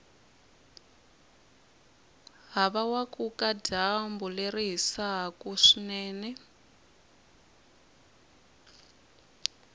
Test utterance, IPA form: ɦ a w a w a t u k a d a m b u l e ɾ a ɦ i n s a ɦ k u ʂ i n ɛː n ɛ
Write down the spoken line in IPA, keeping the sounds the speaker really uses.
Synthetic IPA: ɦ a β a w a k u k a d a m b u l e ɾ i ɦ i s a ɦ k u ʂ i n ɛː n ɛ